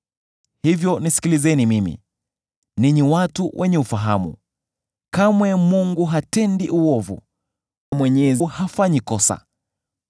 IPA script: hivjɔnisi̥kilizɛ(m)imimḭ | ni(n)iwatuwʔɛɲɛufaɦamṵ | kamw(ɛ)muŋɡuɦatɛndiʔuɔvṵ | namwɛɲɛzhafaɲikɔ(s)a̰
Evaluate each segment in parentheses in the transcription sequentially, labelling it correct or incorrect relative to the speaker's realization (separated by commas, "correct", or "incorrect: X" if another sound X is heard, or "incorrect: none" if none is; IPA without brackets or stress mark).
incorrect: n, incorrect: ɲ, correct, correct